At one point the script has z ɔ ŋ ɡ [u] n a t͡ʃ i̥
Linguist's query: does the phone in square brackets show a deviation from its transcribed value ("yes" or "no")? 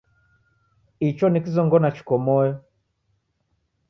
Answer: yes